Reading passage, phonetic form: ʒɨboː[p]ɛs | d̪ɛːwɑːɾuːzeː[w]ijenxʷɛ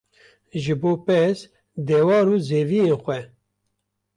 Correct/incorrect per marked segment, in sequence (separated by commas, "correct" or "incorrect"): correct, incorrect